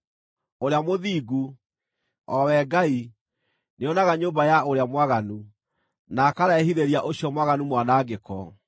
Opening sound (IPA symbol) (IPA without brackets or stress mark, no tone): o